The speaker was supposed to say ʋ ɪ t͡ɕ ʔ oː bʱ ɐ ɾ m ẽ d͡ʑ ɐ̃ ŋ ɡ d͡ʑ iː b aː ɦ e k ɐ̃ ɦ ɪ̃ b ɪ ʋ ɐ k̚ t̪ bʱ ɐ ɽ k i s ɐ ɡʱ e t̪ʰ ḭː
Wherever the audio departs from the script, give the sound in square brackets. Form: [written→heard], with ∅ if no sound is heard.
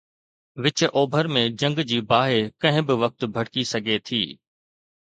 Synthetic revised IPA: ʋ ɪ t͡ɕ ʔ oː bʱ [ɐ→ə] ɾ m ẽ d͡ʑ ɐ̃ ŋ ɡ d͡ʑ iː b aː ɦ e k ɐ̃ ɦ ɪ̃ b ɪ ʋ ɐ k̚ t̪ bʱ ɐ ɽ k i s ɐ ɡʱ e t̪ʰ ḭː